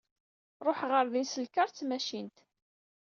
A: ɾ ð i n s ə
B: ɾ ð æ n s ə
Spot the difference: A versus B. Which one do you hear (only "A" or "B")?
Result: A